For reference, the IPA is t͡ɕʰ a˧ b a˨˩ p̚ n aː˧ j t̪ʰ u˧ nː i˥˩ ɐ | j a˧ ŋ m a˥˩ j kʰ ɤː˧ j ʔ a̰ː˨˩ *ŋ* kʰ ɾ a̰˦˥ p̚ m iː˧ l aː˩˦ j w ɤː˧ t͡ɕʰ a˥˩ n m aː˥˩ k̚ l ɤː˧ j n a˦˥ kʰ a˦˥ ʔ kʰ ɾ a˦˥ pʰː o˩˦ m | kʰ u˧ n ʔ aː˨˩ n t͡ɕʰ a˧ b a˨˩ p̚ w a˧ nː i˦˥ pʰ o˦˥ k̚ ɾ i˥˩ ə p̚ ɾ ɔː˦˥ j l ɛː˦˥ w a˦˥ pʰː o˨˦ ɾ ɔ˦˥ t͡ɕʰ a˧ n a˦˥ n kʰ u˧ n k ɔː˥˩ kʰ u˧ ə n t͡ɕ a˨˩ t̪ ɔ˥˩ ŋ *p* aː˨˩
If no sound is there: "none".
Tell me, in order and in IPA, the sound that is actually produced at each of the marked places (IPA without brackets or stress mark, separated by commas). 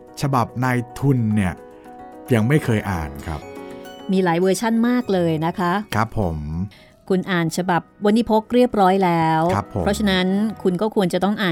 n, ʔ